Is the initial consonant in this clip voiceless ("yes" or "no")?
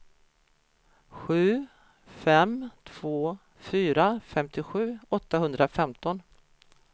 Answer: yes